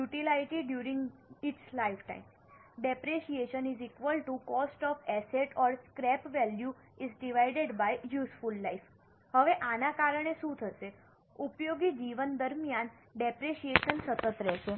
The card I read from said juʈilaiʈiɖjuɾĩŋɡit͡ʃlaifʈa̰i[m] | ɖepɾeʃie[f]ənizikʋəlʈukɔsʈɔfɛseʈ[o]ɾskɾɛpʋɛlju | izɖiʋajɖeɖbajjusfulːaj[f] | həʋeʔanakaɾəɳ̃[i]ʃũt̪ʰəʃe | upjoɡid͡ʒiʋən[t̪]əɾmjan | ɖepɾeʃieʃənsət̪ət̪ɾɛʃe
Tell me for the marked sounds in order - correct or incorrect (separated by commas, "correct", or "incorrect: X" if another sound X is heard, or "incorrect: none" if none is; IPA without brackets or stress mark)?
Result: correct, incorrect: ʃ, incorrect: ɔ, correct, incorrect: e, incorrect: d̪